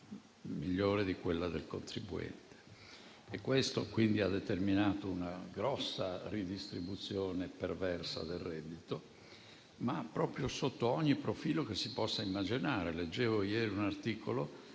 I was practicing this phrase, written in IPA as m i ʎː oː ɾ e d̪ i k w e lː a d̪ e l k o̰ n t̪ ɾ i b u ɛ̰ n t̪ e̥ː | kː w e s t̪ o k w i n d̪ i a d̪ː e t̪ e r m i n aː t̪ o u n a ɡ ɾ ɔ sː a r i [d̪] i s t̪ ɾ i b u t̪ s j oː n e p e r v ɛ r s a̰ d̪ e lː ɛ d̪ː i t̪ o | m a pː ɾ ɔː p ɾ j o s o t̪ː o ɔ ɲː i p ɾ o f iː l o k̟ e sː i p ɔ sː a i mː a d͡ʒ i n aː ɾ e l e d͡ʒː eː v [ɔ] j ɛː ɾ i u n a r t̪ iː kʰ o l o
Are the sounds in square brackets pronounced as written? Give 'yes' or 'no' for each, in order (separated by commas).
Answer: yes, no